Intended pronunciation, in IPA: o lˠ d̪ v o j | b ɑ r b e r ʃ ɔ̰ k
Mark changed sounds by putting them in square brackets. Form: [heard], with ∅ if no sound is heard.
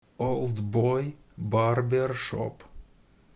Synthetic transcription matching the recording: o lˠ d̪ [b] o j | b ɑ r b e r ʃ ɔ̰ [p]